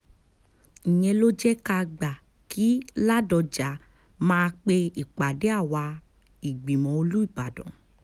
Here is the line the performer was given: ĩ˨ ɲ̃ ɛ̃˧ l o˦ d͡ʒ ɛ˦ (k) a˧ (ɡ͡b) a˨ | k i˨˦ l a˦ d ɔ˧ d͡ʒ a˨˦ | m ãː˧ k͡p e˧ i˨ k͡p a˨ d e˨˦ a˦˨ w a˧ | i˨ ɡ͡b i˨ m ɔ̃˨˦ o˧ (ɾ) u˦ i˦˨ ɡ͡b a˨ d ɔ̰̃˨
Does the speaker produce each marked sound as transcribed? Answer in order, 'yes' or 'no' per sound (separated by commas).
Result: yes, yes, no